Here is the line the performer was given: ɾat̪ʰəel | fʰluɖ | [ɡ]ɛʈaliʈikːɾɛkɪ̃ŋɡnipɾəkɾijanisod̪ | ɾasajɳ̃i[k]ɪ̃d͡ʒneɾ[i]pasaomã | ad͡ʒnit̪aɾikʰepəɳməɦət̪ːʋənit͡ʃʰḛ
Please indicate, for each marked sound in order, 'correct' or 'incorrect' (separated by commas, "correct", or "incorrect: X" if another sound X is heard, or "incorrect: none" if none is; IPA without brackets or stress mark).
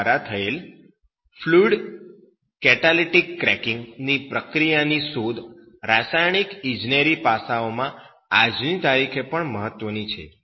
incorrect: k, correct, correct